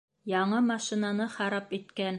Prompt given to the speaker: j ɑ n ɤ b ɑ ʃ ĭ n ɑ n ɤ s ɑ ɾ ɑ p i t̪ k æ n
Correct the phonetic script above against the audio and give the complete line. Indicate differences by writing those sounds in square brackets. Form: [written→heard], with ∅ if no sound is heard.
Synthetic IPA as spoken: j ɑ [n→ɴ] ɤ [b→m] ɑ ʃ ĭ n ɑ n ɤ [s→χ] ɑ ɾ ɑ p i t̪ k æ n